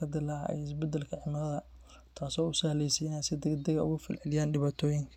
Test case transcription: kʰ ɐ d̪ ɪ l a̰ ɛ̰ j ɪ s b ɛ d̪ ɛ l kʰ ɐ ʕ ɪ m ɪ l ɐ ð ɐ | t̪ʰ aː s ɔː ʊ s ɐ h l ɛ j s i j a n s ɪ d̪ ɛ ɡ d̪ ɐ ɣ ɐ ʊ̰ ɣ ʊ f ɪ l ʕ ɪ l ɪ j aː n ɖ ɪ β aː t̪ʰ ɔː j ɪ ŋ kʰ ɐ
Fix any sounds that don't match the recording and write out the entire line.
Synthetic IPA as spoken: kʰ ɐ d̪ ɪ l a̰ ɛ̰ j ɪ s b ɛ d̪ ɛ l kʰ ɐ ʕ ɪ m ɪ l ɐ ð ɐ | t̪ʰ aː s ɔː ʊ s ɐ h l ɛ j s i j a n s ɪ d̪ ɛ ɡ d̪ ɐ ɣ ɐ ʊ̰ ɣ ʊ f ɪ l ʕ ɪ l ɪ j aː n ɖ ɪ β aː t̪ʰ ɔː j ɪ ŋ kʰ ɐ